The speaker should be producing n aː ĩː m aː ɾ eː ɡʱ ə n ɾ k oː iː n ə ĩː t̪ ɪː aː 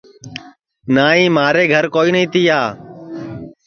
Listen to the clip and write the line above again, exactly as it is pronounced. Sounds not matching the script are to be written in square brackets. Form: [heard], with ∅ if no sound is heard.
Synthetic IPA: n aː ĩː m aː ɾ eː ɡʱ ə [∅] ɾ k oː iː n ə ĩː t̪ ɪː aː

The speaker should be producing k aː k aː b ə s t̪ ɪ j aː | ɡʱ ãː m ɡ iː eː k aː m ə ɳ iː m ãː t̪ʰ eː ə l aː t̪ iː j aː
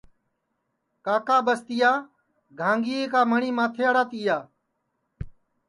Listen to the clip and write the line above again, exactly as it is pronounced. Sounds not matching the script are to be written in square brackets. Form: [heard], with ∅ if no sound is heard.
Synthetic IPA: k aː k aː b ə s t̪ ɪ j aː | ɡʱ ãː [ŋ] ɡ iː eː k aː m ə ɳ iː m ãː t̪ʰ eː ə [ɽ] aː t̪ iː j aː

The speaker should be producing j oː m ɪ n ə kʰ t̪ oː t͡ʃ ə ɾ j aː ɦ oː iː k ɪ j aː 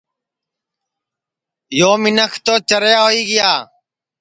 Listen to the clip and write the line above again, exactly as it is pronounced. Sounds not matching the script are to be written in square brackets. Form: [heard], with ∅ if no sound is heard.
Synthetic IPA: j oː m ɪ n ə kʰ t̪ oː t͡ʃ ə ɾ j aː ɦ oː iː [ɡ] ɪ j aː

